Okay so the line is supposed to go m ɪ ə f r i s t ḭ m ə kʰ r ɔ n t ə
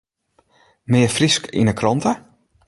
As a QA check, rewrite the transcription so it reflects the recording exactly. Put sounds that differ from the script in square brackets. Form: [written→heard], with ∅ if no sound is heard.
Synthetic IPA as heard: m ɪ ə f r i s [t→k] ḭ [m→n] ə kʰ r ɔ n t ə

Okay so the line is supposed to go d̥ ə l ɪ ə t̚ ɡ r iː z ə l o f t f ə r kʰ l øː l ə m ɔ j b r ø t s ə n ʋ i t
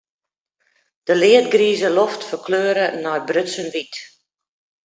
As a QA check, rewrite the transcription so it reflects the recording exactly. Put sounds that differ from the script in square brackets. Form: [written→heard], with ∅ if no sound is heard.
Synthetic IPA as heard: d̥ ə l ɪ ə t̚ ɡ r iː z ə l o f t f ə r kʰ l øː [l→ɾ] ə [m→n] ɔ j b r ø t s ə n ʋ i t

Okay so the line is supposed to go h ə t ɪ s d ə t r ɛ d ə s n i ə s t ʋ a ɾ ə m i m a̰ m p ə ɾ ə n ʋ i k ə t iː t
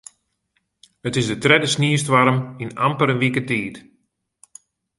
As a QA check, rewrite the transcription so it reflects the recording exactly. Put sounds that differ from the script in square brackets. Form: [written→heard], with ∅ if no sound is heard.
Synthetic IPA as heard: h ə t ɪ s d ə t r ɛ d ə s n i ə s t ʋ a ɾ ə m i [m→n] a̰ m p ə ɾ ə n ʋ i k ə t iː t

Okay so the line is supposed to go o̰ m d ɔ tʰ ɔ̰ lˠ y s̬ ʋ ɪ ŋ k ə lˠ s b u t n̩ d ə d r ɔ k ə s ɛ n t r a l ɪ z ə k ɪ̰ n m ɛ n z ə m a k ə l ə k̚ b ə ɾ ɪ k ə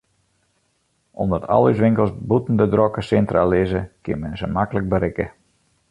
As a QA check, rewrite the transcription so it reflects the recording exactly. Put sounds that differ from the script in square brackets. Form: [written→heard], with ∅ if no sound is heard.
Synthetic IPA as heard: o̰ m d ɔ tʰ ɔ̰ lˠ y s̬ ʋ ɪ ŋ k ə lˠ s b u t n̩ d ə d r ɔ k ə s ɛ n t r a l ɪ z ə k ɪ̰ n m ɛ n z ə m a k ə l ə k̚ b ə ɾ ɪ k ə

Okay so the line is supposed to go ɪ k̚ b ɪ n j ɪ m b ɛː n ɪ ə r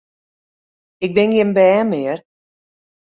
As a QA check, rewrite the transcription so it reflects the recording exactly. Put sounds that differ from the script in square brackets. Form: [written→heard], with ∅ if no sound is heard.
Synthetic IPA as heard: ɪ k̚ b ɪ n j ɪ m b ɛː [n→m] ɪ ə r

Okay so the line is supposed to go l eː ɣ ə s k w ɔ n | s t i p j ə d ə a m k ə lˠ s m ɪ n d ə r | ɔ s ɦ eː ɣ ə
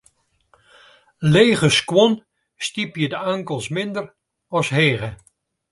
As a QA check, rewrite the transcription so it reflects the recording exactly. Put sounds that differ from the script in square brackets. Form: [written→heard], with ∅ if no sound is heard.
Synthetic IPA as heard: l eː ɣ ə s k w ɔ n | s t i p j ə d ə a [m→ŋ] k ə lˠ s m ɪ n d ə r | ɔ s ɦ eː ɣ ə

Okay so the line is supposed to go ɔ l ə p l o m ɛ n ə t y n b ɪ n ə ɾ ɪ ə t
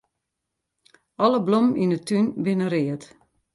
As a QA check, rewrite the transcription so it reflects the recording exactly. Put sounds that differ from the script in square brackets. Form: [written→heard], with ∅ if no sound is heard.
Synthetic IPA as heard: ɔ l ə [p→b] l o m [ɛ→i] n ə t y n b ɪ n ə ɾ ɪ ə t

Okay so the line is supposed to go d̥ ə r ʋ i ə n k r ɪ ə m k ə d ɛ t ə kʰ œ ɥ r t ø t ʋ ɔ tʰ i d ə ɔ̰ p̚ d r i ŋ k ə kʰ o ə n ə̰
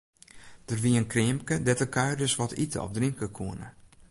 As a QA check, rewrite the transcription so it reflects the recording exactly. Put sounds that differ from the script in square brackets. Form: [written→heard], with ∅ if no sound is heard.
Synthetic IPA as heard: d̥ ə r ʋ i ə n k r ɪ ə m k ə d ɛ t ə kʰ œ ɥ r [t→d] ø [t→s] ʋ ɔ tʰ i [d→t] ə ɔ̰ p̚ d r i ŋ k ə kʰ [o→u] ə n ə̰

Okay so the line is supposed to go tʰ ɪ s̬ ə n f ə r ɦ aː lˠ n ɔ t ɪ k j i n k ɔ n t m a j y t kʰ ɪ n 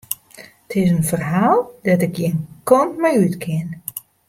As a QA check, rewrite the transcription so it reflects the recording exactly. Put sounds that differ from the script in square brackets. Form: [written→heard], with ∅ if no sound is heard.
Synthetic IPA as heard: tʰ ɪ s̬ ə n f ə r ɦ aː lˠ [n→d] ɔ t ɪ k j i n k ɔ n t m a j y t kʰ ɪ n

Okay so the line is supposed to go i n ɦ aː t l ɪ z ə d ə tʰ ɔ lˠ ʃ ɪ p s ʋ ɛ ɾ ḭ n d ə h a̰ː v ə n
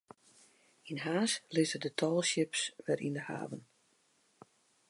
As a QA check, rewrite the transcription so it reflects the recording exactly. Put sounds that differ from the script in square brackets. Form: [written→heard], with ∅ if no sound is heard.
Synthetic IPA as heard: i n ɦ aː [t→s] l ɪ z ə d ə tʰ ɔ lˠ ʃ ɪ p s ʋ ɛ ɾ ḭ n d ə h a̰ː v ə n

